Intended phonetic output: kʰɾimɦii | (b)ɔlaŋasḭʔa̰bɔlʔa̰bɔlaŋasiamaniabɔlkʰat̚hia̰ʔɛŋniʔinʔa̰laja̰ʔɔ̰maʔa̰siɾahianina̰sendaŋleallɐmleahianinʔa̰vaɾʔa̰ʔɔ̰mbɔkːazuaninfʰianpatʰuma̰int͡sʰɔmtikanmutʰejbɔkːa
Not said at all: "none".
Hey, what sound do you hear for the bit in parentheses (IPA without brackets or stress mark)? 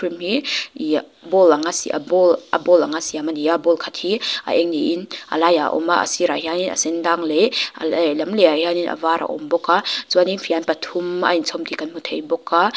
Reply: b